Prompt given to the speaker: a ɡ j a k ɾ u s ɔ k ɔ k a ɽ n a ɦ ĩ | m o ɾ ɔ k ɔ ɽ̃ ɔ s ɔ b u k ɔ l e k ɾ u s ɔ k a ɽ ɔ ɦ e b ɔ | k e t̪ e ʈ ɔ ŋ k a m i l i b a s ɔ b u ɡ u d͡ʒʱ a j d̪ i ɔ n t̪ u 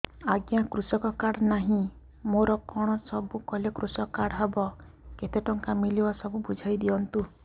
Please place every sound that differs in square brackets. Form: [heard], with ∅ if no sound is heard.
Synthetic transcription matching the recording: a ɡ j a k ɾ u s ɔ k ɔ k a ɽ n a ɦ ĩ | m o ɾ ɔ k ɔ ɽ̃ ɔ s ɔ b u k ɔ l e k ɾ u s ɔ k a ɽ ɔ ɦ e b ɔ | k e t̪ e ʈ ɔ ŋ k a m i l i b a s ɔ b u [b] u d͡ʒʱ a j d̪ i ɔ n t̪ u